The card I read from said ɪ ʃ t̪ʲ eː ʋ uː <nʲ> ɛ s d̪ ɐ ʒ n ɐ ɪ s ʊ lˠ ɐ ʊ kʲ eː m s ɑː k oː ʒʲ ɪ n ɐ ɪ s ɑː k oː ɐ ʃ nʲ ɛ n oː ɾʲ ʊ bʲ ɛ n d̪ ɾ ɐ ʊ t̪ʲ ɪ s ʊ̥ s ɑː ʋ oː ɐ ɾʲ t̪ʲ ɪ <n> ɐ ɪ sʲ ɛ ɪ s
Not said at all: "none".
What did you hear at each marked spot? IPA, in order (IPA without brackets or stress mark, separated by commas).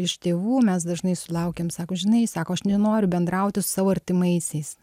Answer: mʲ, m